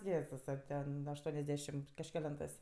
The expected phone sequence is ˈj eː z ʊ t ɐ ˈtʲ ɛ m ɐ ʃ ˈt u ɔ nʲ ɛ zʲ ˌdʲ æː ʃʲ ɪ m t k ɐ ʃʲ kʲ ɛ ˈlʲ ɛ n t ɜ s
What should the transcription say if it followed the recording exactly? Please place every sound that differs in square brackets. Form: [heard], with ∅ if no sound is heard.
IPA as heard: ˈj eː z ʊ [s] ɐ ˈtʲ ɛ [n] ɐ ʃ ˈt u ɔ nʲ ɛ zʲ ˌdʲ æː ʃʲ ɪ m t k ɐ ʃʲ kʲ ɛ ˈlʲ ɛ n t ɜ s